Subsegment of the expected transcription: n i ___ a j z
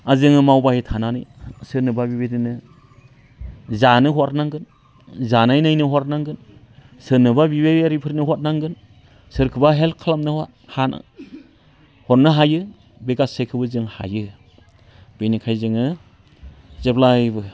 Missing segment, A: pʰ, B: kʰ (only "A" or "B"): B